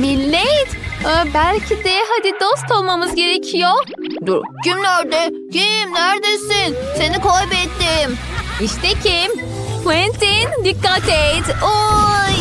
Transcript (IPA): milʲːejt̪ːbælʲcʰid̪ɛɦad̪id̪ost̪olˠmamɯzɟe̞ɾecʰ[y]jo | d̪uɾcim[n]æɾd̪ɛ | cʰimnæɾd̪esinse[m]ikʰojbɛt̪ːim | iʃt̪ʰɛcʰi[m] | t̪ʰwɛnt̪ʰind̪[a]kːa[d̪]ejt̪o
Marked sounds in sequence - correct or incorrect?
incorrect, correct, incorrect, correct, incorrect, incorrect

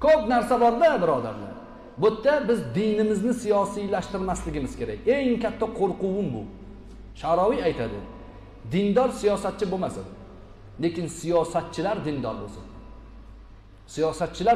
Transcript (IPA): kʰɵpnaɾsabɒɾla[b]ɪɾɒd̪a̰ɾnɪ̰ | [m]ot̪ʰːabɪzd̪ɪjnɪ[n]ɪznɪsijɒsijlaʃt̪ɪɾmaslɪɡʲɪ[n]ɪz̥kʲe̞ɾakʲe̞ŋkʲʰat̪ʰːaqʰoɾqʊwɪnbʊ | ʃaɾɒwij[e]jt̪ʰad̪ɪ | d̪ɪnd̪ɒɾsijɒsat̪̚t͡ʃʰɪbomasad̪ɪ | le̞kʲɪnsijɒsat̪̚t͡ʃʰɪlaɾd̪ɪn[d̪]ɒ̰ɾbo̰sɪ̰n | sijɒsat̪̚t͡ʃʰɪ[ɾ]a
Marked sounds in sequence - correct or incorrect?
correct, incorrect, incorrect, incorrect, incorrect, correct, incorrect

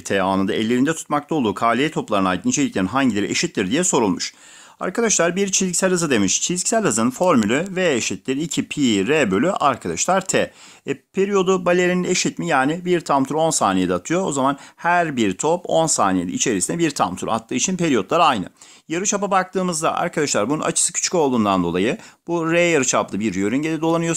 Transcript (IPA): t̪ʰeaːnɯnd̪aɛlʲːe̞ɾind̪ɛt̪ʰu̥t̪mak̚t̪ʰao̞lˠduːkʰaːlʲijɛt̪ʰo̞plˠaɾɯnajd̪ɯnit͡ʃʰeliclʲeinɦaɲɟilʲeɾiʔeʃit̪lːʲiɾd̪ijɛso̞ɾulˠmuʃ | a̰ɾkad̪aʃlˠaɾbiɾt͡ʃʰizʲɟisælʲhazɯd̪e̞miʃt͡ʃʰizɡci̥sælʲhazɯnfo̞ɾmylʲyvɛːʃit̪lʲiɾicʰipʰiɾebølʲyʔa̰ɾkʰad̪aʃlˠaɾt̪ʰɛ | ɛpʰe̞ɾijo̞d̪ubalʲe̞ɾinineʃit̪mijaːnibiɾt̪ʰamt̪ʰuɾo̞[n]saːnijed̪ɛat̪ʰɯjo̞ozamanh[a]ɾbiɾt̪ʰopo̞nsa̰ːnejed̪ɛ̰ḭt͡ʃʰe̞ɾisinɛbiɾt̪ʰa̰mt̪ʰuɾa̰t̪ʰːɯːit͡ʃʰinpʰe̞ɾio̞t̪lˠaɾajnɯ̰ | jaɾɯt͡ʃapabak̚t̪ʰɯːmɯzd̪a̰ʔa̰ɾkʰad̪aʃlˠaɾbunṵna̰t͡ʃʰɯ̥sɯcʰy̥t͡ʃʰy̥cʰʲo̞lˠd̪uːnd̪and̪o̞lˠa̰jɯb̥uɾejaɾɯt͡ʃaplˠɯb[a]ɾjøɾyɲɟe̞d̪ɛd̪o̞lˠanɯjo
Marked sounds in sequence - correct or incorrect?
correct, incorrect, incorrect

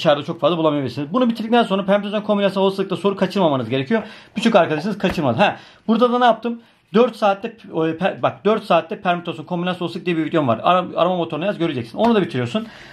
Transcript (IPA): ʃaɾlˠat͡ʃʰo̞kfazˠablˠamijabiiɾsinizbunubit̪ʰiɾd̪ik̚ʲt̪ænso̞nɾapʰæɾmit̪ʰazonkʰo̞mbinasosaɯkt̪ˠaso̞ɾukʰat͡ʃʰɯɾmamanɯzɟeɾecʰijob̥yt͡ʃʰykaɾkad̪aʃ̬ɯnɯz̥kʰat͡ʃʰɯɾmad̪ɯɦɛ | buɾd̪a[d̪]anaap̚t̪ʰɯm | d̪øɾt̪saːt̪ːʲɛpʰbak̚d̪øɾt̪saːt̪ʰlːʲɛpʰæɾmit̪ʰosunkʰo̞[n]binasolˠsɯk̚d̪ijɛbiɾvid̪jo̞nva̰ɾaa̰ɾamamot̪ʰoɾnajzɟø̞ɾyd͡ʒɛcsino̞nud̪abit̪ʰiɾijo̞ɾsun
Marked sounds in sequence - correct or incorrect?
correct, incorrect

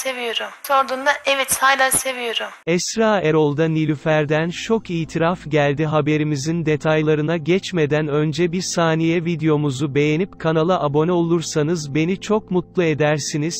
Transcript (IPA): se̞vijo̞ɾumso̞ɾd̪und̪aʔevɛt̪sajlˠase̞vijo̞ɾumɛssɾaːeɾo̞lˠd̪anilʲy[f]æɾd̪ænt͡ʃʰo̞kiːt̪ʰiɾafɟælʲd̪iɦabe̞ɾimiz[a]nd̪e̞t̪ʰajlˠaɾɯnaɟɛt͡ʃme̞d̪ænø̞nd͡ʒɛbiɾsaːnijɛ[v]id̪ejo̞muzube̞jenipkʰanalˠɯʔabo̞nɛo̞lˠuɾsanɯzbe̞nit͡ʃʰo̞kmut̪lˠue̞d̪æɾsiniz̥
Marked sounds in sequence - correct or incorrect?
correct, incorrect, correct

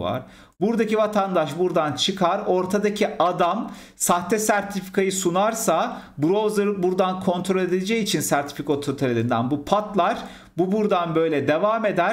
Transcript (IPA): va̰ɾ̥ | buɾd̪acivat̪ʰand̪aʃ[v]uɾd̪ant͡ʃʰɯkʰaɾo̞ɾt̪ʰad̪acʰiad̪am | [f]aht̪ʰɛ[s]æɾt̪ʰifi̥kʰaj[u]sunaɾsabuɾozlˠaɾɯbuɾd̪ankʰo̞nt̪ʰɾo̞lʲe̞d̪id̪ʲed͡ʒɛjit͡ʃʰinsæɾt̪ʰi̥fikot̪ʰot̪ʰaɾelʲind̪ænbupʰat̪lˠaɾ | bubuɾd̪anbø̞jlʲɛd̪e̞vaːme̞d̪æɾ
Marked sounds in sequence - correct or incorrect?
incorrect, incorrect, correct, incorrect

